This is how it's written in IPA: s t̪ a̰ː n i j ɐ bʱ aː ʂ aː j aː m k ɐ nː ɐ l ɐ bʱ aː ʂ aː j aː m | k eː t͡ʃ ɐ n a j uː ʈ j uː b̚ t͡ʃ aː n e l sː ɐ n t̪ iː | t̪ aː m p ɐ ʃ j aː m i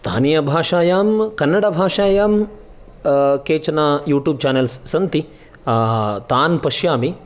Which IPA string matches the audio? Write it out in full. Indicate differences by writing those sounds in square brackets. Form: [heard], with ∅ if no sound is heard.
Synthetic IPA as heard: s [t̪ʰ] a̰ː n i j ɐ bʱ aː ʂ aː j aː m k ɐ nː ɐ [ɽ] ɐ bʱ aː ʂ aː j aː m | k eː t͡ʃ ɐ n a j uː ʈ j uː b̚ t͡ʃ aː n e l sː ɐ n t̪ [i] | t̪ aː [n] p ɐ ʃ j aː m i